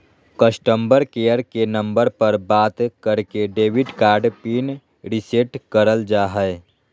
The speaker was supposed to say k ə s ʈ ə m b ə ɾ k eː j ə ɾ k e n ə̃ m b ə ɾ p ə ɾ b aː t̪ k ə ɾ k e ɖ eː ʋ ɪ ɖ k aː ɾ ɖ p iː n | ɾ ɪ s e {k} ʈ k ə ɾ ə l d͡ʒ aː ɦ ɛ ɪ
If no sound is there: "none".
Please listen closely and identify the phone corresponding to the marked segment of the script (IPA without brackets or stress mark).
none